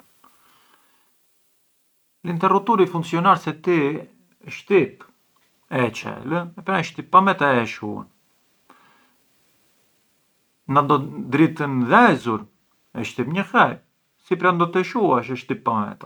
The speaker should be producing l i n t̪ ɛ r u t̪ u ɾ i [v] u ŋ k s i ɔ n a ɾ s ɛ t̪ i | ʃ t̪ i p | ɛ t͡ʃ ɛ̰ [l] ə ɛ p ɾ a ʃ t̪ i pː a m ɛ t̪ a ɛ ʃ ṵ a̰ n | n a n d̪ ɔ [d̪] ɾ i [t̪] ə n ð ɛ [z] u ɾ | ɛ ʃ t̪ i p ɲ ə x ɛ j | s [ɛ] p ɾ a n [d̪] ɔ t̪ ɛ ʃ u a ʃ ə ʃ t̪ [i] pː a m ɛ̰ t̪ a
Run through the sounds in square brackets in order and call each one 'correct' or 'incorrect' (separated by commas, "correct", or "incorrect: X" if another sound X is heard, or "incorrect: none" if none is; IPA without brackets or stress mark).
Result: incorrect: f, correct, correct, correct, correct, incorrect: i, correct, correct